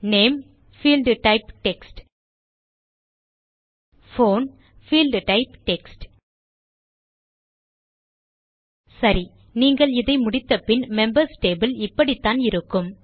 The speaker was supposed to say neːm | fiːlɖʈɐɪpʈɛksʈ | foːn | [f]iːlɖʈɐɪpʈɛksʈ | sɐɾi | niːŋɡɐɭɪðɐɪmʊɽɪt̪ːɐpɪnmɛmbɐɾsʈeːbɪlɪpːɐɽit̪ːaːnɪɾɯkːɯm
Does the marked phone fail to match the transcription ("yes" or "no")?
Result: no